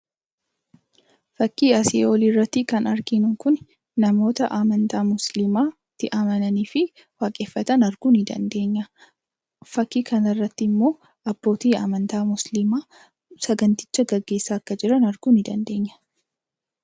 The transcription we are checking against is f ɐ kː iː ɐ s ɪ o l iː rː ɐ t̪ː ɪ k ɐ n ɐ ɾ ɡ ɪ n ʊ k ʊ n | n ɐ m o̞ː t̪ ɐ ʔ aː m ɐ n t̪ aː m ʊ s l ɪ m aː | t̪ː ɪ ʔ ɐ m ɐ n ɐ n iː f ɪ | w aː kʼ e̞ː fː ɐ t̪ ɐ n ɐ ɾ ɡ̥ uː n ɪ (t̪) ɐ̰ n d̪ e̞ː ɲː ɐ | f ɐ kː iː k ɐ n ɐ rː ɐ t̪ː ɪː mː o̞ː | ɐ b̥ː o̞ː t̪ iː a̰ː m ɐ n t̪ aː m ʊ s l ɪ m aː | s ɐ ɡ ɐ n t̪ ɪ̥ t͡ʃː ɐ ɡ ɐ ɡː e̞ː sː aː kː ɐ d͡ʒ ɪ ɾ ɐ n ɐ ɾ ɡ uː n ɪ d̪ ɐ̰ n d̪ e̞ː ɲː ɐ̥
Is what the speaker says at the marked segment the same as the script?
no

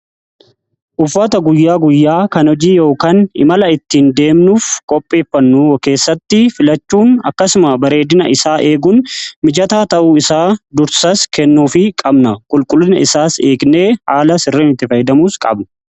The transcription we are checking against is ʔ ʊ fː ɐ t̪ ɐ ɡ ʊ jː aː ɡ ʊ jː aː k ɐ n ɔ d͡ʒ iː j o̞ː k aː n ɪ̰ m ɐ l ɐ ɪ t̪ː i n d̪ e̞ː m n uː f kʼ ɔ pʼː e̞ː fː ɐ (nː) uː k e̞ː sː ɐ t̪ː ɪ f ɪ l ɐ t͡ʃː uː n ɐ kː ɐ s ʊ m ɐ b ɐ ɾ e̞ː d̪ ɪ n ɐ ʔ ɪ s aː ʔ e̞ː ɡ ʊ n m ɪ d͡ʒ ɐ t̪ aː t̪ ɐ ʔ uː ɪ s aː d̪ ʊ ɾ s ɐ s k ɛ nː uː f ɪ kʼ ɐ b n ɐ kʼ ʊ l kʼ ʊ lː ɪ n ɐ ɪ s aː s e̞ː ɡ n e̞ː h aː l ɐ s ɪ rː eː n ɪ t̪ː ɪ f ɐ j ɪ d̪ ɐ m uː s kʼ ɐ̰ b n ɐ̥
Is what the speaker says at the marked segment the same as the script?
yes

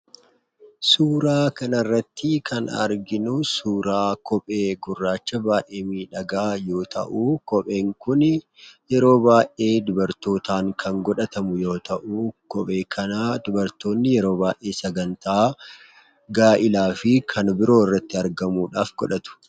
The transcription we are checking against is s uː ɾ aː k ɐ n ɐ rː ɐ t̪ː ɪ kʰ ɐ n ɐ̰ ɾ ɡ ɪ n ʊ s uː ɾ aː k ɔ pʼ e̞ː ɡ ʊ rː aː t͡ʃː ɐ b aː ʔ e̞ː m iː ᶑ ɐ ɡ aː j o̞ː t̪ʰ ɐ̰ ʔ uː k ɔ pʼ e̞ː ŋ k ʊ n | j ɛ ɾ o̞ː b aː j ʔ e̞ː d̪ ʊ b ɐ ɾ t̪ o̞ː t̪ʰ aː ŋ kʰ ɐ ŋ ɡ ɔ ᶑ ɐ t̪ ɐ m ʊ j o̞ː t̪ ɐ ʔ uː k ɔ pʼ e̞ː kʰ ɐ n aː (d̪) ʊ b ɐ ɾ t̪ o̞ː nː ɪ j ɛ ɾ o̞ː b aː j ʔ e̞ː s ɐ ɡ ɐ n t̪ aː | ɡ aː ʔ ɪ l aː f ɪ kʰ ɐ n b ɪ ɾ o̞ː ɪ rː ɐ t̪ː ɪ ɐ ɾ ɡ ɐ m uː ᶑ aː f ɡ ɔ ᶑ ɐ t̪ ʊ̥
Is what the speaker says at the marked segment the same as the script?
yes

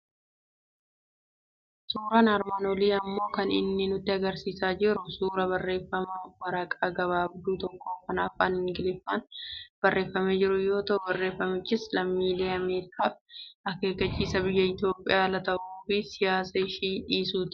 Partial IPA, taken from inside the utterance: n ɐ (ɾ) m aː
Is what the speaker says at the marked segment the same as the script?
yes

